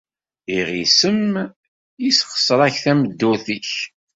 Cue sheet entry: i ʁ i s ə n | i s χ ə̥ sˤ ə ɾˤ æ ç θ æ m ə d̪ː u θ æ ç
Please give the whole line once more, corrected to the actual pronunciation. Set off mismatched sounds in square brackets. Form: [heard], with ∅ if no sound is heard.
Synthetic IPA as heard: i ʁ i s ə [m] | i s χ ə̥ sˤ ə ɾˤ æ ç θ æ m ə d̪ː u θ [i] ç